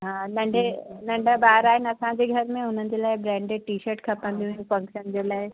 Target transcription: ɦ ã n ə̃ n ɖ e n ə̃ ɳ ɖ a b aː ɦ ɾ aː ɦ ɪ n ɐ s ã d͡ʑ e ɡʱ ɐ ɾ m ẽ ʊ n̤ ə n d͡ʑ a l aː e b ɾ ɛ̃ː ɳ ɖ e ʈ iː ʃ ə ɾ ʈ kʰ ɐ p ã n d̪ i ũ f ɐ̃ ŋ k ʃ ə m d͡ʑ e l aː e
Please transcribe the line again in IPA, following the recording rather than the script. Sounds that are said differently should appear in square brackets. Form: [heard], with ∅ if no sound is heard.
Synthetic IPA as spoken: ɦ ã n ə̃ [ɳ] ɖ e n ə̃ ɳ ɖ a b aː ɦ ɾ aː ɦ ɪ n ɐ s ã d͡ʑ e ɡʱ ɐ ɾ m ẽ ʊ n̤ ə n d͡ʑ [e] l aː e b ɾ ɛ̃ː ɳ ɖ e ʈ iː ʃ ə ɾ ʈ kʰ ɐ p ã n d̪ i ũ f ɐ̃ ŋ k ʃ ə [n] d͡ʑ e l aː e